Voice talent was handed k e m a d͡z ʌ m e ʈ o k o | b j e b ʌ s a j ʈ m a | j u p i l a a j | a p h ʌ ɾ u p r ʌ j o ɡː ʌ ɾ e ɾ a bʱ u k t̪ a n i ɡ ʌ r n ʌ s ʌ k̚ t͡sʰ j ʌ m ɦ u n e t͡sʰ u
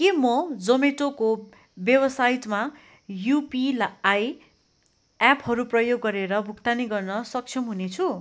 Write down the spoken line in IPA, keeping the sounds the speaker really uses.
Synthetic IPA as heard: k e m ʌ d͡z ʌ m e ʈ o k o | b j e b ʌ s a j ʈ m a | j u p i l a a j | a p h ʌ ɾ u p r ʌ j o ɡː ʌ ɾ e ɾ ʌ bʱ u k t̪ a n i ɡ ʌ r n ʌ s ʌ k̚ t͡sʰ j ʌ m ɦ u n e t͡sʰ u